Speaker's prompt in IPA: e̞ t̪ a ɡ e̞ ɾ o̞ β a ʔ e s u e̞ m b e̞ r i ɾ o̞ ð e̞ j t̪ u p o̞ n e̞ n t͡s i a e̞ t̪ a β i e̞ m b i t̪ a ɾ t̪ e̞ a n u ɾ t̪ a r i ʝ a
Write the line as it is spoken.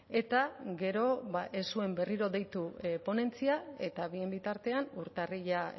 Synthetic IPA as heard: e̞ t̪ a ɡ e̞ ɾ o̞ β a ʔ e s u e̞ m b e̞ r i ɾ o̞ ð e̞ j t̪ u p o̞ n e̞ n t͡s i a e̞ t̪ a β i e̞ m b i t̪ a ɾ t̪ e̞ a n u ɾ t̪ a r i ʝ a